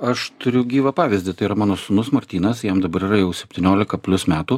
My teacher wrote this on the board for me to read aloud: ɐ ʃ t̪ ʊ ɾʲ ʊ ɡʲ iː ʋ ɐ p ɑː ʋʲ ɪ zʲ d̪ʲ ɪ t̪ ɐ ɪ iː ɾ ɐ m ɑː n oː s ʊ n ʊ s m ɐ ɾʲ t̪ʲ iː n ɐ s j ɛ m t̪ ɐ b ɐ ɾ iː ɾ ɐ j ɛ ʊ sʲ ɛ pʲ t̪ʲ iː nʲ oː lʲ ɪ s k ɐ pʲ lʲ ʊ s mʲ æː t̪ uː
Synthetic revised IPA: ɐ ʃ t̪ ʊ ɾʲ ʊ ɡʲ iː ʋ ɐ p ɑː ʋʲ ɪ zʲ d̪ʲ ɪ t̪ ɐ ɪ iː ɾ ɐ m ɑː n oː s ʊ n ʊ s m ɐ ɾʲ t̪ʲ iː n ɐ s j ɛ m d̪ ɐ b ɐ ɾ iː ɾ ɐ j ɛ ʊ sʲ ɛ pʲ t̪ʲ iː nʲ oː lʲ ɪ k ɐ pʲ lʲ ʊ s mʲ æː t̪ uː